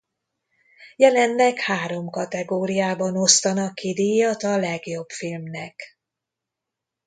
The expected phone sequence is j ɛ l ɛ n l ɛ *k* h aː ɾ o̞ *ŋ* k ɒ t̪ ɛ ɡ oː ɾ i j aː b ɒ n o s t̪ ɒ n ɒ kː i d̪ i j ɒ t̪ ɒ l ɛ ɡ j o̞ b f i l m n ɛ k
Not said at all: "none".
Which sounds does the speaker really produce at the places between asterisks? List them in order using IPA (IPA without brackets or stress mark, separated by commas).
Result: k, m